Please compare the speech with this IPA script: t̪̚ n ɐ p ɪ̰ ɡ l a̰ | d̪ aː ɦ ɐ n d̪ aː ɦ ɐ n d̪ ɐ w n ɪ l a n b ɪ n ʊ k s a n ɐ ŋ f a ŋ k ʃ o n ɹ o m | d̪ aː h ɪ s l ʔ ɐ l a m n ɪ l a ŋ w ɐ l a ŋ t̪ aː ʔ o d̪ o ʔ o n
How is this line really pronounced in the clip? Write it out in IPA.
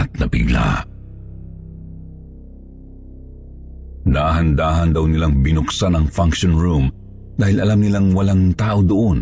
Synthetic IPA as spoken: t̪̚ n ɐ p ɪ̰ ɡ l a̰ | d̪ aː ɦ ɐ n d̪ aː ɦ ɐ n d̪ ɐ w n ɪ l a ŋ b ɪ n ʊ k s a n ɐ ŋ f a ŋ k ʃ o n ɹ u m | d̪ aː h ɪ l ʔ ɐ l a m n ɪ l a ŋ w ɐ l a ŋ t̪ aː ʔ o d̪ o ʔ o n